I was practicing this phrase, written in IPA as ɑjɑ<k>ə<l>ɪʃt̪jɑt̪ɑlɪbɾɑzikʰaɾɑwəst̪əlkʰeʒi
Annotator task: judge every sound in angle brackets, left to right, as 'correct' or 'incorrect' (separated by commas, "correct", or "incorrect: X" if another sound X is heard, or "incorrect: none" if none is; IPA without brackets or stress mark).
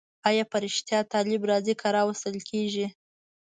incorrect: p, incorrect: ɾ